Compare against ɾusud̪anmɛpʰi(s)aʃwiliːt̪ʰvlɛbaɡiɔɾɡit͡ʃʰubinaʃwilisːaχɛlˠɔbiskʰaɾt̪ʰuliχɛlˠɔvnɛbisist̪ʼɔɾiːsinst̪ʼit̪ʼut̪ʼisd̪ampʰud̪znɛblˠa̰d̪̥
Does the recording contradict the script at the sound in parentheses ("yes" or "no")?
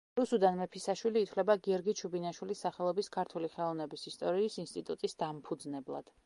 no